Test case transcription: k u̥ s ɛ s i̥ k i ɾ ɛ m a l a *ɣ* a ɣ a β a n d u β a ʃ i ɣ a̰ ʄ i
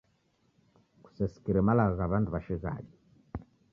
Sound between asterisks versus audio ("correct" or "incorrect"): correct